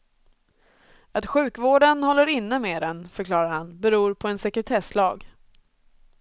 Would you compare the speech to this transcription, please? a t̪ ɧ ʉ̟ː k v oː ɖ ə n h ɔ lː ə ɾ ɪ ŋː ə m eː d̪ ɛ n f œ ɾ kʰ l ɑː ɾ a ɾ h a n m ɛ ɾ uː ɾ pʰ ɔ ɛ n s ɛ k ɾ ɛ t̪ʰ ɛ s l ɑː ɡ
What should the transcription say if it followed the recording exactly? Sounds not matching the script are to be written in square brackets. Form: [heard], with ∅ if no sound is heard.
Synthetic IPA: a t̪ ɧ ʉ̟ː k v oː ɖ ə n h ɔ lː ə ɾ ɪ [nː] ə m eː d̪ ɛ n f œ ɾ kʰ l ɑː ɾ a ɾ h a n [b] ɛ ɾ uː ɾ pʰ ɔ ɛ n s ɛ k ɾ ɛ t̪ʰ ɛ s l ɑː ɡ